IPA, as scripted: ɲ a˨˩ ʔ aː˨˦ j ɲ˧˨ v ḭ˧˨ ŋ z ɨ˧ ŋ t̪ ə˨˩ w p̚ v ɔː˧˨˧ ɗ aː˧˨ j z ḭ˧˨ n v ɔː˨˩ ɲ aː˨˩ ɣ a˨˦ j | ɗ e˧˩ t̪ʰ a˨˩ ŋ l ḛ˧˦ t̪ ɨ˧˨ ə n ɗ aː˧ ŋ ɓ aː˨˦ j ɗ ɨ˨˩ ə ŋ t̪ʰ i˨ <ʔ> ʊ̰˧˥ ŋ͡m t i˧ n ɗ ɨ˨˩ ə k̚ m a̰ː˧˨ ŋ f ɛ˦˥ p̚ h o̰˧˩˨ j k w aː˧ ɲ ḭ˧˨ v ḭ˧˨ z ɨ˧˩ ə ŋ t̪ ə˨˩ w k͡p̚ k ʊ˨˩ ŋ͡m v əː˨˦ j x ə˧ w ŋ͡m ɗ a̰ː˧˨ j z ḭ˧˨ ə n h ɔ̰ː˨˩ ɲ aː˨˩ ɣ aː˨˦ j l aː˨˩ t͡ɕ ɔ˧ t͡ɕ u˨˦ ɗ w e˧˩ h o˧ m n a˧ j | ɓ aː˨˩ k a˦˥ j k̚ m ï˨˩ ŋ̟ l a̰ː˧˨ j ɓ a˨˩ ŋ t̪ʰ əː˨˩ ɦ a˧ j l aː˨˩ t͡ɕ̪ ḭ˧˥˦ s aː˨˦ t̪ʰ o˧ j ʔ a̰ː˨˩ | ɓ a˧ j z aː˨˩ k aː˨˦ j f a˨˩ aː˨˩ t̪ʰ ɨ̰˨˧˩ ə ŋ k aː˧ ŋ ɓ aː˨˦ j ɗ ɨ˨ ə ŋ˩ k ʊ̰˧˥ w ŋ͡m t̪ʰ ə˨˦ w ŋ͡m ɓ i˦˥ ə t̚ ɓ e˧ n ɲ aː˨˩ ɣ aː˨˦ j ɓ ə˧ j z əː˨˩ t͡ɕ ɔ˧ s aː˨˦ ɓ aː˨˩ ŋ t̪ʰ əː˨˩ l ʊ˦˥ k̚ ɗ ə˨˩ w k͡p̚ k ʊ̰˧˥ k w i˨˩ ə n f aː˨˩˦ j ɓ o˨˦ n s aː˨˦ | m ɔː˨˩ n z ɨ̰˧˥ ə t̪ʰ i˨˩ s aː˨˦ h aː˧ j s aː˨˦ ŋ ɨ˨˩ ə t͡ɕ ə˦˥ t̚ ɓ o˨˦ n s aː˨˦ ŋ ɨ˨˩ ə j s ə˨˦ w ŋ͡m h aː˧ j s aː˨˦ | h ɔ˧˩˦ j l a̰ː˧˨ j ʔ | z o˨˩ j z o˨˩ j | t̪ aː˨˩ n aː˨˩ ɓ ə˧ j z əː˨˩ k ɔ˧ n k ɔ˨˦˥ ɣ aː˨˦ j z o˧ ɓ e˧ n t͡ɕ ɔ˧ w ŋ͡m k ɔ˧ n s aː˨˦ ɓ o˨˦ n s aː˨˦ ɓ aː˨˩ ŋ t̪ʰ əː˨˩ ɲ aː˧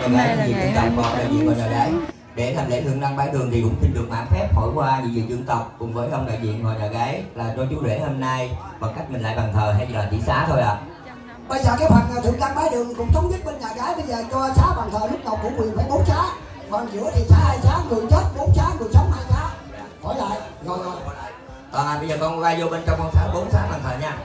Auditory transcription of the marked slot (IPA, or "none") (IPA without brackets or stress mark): k